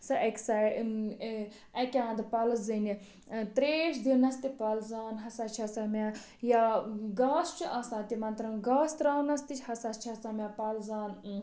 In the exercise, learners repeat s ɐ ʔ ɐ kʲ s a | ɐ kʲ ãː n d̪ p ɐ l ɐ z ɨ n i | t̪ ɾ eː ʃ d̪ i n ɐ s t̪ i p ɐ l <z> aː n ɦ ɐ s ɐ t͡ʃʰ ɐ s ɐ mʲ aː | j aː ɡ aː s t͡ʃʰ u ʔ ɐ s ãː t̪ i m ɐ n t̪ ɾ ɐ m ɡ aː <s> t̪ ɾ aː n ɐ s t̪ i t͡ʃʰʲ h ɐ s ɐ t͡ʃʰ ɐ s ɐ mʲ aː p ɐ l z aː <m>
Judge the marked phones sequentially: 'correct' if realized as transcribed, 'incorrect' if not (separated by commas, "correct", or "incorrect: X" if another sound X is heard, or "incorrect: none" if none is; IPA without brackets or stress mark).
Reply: correct, correct, incorrect: n